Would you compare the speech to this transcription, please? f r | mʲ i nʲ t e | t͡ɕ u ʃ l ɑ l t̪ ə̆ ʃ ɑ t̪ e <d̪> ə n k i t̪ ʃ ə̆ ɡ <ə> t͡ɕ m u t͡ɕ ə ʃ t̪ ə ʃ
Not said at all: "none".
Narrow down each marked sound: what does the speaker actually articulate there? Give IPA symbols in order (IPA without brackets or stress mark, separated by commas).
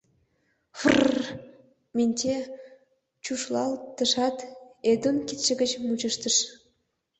d̪, ə